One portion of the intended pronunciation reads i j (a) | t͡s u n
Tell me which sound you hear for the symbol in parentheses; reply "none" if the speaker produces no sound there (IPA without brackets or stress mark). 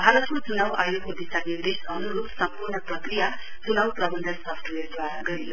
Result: a